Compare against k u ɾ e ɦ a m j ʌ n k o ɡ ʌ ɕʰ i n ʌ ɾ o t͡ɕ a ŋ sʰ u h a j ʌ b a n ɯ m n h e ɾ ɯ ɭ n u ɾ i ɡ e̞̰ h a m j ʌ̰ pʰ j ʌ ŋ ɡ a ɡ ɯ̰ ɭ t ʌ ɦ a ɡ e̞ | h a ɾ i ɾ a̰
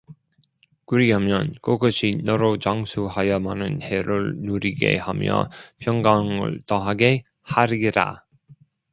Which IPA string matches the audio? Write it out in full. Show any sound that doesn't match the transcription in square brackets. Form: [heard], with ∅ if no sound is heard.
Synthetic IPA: k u ɾ [i] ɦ a m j ʌ n k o ɡ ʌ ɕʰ i n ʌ ɾ o t͡ɕ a ŋ sʰ u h a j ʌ [m] a n ɯ [∅] n h e ɾ ɯ ɭ n u ɾ i ɡ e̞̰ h a m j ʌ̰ pʰ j ʌ ŋ ɡ a [ŋ] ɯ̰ ɭ t ʌ ɦ a ɡ e̞ | h a ɾ i ɾ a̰